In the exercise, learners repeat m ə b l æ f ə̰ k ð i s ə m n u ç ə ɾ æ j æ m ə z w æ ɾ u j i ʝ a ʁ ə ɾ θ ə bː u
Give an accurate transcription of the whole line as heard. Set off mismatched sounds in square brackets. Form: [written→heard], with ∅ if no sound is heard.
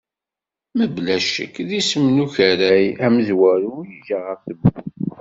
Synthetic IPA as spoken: m ə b l æ [f→ʃ] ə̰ k ð i s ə m n u ç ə ɾ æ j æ m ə z w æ ɾ u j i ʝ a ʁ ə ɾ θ ə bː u